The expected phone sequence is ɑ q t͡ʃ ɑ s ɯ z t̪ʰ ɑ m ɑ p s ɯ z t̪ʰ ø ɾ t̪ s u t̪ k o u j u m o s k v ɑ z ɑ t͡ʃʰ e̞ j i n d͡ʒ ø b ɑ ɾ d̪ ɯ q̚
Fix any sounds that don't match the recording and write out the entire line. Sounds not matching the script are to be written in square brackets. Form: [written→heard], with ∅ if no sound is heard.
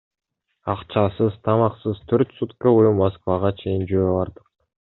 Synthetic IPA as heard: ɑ q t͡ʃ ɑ s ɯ z t̪ʰ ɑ m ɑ [p→q] s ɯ z t̪ʰ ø ɾ t̪ s u t̪ k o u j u m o s k v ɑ [z→ʁ] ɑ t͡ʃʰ e̞ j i n d͡ʒ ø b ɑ ɾ d̪ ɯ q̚